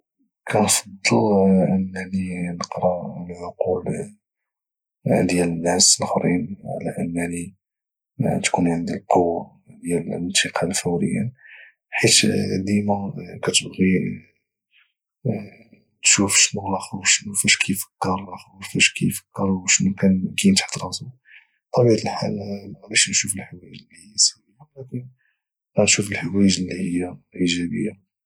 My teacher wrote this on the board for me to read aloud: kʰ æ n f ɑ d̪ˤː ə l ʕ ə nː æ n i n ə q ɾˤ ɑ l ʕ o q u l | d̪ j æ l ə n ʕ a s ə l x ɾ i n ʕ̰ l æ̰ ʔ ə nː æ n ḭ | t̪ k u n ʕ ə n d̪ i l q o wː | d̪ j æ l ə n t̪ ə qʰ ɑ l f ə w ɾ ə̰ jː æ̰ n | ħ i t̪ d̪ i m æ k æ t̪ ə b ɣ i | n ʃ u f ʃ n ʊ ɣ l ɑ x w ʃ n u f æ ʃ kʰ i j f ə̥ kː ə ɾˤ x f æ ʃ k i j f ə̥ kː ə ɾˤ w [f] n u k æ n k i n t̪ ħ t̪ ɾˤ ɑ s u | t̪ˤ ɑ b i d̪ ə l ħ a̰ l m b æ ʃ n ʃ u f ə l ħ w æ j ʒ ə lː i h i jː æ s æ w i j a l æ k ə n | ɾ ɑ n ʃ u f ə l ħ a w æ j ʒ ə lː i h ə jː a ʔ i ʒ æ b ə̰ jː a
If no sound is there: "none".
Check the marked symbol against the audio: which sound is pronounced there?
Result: ʃ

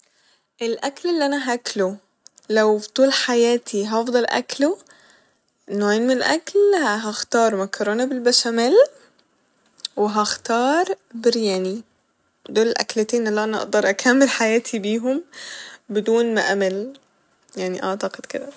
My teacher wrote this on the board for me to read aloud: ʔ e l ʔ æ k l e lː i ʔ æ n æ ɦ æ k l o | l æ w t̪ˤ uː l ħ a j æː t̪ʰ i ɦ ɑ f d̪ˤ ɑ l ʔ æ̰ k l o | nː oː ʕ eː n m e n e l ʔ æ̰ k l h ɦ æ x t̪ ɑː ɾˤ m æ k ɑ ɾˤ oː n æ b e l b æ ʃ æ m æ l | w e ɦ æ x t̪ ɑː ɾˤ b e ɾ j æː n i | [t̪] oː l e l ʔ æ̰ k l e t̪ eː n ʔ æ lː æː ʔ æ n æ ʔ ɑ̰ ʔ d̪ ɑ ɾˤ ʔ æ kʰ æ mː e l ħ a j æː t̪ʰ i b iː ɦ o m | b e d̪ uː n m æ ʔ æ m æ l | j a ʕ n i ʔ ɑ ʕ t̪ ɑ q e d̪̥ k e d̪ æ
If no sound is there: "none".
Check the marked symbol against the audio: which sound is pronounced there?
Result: d̪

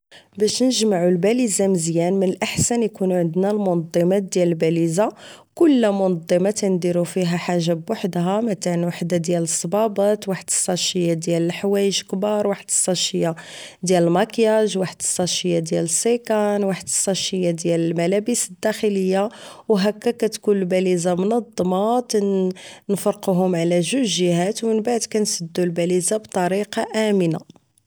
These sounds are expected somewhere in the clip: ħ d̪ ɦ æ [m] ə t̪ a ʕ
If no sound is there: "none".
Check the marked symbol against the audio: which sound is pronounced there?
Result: m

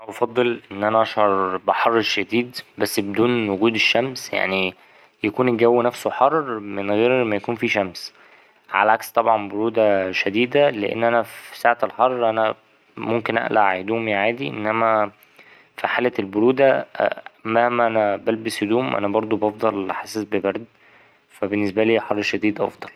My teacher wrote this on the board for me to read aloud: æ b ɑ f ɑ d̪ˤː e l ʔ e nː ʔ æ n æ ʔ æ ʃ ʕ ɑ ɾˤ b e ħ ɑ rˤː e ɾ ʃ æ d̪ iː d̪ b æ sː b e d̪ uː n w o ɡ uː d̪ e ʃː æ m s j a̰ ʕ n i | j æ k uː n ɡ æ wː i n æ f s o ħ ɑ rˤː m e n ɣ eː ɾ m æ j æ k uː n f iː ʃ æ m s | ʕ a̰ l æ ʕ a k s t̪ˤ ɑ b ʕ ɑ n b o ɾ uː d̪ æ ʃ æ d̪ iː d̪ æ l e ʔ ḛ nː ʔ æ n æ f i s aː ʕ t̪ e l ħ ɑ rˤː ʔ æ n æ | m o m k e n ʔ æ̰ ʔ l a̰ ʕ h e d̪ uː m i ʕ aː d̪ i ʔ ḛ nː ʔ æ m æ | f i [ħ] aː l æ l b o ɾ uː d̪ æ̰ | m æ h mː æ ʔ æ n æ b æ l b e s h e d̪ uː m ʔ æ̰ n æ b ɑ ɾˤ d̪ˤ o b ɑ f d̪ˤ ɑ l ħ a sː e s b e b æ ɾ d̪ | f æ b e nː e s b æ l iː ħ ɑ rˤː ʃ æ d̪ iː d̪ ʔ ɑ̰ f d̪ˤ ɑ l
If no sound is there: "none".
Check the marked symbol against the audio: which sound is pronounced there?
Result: ħ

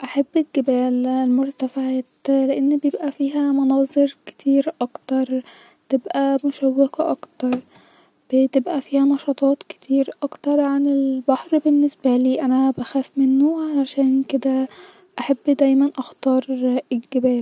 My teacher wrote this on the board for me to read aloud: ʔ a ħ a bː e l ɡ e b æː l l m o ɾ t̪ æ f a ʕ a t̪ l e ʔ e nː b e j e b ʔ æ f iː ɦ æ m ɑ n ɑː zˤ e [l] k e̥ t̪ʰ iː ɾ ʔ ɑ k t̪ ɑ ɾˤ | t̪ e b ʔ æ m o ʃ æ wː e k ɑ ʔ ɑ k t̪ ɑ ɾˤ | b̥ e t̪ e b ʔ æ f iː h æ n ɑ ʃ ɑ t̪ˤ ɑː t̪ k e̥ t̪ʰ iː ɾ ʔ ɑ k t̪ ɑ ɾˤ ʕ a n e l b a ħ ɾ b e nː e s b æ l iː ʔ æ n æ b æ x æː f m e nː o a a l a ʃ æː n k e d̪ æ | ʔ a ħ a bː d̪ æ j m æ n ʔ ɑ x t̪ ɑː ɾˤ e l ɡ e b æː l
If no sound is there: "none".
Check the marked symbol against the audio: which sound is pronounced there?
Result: ɾ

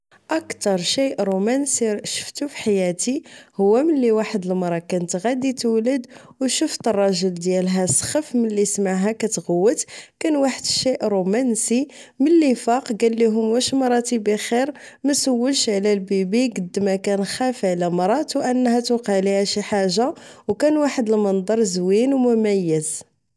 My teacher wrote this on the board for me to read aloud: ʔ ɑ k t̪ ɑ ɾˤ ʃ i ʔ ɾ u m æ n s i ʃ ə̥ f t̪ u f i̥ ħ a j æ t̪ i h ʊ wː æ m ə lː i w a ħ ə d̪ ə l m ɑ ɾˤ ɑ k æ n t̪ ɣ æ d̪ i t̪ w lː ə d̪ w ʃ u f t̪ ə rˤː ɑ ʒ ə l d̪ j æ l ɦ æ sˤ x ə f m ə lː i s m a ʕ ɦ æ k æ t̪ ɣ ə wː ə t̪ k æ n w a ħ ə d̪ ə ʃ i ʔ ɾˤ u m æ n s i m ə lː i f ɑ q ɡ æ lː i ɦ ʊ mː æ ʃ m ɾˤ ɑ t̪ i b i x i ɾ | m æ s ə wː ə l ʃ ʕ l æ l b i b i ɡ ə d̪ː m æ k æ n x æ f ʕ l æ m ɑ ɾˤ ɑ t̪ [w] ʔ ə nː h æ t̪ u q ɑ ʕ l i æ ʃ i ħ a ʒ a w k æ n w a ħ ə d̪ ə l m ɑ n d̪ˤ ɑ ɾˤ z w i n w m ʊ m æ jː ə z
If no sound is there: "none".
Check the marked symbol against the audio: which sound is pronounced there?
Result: w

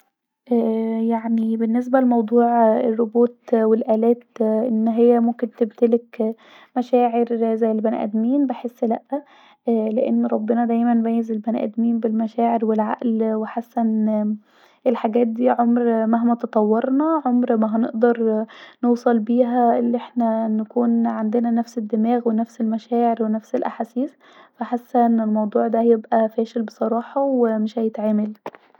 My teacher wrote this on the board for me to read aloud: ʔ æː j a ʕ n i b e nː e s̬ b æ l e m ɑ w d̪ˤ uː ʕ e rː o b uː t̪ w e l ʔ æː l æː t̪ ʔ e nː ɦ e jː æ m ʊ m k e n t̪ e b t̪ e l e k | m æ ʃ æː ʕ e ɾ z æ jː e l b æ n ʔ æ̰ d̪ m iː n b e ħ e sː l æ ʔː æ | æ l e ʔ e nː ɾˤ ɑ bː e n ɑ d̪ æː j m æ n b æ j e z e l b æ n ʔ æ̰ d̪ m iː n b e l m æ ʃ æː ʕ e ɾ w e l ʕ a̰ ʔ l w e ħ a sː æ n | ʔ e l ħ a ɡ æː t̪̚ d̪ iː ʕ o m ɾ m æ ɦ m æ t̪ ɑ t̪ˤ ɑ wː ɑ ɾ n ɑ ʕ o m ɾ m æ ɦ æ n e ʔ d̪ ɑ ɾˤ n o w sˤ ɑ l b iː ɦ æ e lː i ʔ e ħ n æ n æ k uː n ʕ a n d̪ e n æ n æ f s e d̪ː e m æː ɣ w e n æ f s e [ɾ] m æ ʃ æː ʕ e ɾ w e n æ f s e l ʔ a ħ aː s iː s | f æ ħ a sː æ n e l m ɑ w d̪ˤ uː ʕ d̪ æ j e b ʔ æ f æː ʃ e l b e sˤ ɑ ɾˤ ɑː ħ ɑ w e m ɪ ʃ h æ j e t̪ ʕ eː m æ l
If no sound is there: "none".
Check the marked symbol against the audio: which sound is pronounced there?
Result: l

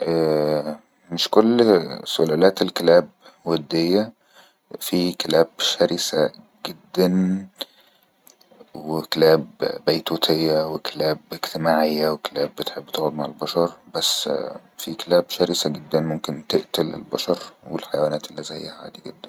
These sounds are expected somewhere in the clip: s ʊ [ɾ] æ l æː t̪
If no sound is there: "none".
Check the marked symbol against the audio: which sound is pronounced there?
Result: l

